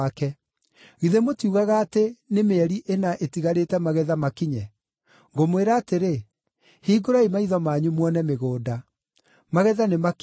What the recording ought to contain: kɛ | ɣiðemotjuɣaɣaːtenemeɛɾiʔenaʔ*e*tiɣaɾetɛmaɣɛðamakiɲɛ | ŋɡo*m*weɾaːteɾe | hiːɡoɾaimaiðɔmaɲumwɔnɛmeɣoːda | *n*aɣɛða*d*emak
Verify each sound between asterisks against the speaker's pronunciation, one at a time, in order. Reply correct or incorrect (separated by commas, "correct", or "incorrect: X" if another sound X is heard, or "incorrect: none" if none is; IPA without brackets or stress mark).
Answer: correct, correct, incorrect: m, incorrect: n